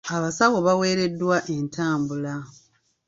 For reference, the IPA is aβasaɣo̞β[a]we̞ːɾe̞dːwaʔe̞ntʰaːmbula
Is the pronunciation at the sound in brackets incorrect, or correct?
correct